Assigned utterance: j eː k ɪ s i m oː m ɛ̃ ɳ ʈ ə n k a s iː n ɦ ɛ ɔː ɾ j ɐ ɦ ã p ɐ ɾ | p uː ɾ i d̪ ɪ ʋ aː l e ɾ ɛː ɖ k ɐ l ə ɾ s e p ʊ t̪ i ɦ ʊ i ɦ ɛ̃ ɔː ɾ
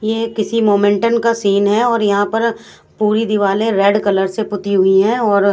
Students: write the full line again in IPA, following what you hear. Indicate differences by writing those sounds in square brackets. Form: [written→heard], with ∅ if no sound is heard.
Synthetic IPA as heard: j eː k ɪ s i m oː m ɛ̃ ɳ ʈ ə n k a s iː n ɦ ɛ ɔː ɾ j ɐ ɦ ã p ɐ ɾ | p uː ɾ i d̪ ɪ ʋ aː l e ɾ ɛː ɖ k ɐ l ə ɾ s e p ʊ t̪ i ɦ ʊ i ɦ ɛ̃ ɔː ɾ